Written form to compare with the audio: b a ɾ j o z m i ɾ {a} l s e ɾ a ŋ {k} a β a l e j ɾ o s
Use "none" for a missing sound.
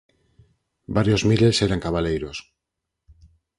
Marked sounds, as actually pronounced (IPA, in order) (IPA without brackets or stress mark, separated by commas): e, k